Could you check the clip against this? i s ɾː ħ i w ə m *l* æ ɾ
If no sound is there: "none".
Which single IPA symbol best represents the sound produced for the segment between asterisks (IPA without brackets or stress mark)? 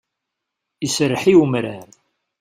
ɾ